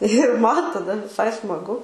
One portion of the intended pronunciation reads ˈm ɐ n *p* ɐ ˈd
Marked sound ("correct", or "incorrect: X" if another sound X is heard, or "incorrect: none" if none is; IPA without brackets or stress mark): incorrect: t